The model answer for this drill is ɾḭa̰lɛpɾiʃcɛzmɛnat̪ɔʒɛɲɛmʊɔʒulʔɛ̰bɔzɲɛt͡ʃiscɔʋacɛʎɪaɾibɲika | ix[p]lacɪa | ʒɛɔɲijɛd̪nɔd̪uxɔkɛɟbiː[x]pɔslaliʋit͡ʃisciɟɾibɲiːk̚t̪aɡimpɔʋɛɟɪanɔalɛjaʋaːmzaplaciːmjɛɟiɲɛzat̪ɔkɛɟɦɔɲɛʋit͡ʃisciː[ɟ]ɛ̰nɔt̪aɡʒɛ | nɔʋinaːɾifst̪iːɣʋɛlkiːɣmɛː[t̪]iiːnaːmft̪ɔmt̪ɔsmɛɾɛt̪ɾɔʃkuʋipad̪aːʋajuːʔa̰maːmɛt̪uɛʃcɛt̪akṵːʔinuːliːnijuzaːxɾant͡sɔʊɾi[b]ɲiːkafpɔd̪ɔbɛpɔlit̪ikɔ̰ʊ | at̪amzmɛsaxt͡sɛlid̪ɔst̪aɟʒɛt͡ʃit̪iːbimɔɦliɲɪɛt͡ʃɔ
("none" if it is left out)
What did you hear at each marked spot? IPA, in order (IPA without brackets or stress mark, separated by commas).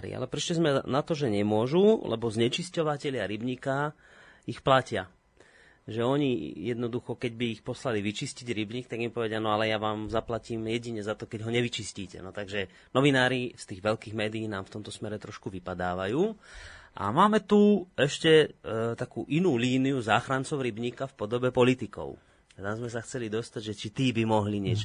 p, x, c, d̪, b